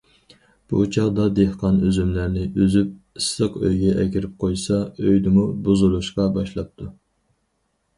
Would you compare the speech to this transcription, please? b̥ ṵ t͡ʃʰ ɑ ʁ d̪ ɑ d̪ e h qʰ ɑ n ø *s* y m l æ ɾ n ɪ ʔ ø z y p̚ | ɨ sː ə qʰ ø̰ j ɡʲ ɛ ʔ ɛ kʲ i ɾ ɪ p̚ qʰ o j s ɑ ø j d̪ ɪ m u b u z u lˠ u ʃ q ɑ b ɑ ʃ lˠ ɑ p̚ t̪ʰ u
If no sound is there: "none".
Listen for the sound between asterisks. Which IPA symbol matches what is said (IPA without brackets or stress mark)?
z